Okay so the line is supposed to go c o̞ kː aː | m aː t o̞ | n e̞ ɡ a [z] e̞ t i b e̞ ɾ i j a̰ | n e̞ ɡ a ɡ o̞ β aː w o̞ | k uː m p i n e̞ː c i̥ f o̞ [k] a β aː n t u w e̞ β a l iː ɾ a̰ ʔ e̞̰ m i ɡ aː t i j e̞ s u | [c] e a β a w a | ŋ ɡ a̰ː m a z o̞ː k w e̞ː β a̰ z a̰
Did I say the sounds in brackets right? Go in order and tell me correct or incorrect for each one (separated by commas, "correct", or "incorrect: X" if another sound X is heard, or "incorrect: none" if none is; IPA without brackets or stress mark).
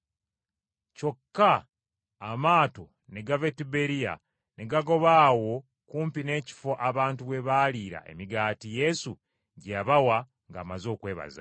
incorrect: v, incorrect: ʔ, incorrect: ɟ